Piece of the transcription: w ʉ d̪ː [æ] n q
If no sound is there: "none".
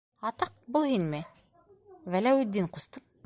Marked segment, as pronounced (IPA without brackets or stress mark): i